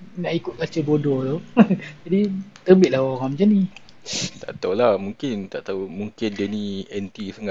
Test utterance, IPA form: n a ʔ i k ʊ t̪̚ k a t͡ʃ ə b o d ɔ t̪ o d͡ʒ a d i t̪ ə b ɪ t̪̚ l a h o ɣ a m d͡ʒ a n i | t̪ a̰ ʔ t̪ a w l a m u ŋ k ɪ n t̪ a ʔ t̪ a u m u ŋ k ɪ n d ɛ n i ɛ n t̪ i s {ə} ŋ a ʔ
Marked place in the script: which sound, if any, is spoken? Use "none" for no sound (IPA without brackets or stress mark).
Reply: ə